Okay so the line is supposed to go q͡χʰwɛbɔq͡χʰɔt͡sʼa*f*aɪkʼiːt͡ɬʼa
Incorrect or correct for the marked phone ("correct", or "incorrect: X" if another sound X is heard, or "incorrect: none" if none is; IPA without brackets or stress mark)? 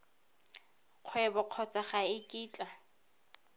incorrect: χ